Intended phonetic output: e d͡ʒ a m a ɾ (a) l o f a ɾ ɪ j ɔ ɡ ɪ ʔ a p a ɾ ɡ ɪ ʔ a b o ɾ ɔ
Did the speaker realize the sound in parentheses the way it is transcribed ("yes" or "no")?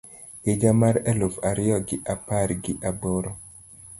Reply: no